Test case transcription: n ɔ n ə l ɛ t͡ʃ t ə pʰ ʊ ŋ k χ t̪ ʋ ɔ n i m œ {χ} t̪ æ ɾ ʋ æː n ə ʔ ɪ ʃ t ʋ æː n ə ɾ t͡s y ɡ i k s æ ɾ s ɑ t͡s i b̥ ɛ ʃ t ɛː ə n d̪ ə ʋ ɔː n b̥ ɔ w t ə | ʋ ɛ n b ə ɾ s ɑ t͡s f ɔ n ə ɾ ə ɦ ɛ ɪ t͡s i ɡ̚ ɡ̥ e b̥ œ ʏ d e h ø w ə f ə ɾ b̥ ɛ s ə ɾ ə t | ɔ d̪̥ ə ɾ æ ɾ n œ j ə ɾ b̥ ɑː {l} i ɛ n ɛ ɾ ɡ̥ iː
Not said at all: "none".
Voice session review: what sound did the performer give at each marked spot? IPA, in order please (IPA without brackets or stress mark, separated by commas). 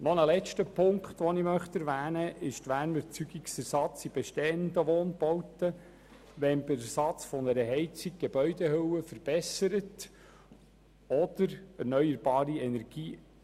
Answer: χ, ɾ